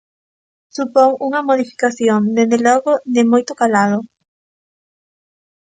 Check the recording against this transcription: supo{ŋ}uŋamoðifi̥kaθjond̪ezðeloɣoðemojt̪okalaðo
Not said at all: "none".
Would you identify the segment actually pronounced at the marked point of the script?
ŋ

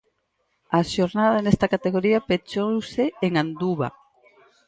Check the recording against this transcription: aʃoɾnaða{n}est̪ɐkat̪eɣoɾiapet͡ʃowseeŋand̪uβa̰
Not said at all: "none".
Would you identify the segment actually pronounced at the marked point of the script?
n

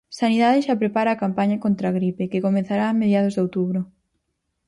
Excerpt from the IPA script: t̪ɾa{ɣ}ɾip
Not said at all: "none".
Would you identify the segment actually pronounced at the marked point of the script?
ɣ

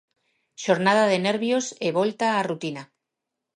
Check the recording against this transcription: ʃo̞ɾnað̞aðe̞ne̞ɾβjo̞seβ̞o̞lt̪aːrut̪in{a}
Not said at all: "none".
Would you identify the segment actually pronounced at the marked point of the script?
a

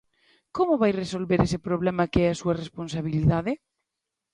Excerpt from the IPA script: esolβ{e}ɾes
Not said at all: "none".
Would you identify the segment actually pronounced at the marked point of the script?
e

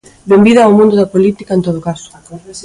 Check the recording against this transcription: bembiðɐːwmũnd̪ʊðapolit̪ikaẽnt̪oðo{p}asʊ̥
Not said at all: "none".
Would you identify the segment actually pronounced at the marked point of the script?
k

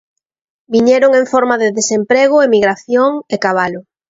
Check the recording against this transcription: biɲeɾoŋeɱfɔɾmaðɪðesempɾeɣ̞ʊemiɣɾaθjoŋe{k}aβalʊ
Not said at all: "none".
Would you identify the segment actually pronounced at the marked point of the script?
k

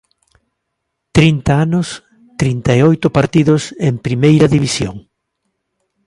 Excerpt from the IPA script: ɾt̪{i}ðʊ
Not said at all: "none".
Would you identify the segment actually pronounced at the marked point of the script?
i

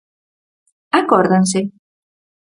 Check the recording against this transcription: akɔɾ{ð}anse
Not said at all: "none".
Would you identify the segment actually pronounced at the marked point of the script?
ð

